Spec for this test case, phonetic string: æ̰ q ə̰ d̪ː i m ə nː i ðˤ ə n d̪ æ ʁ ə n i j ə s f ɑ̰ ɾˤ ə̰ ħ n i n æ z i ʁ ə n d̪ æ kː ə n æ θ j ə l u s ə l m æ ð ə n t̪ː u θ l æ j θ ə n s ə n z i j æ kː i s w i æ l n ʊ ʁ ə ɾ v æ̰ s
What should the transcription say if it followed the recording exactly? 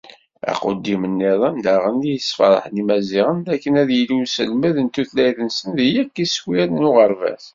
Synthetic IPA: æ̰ q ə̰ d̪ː i m ə nː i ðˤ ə n d̪ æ ʁ ə n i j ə s f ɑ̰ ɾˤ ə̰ ħ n i m æ z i ʁ ə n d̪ æ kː ə n æ ð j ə l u s ə l m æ ð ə n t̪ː u θ l æ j θ ə n s ə n ð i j æ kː i s w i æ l n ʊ ʁ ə ɾ v æ̰ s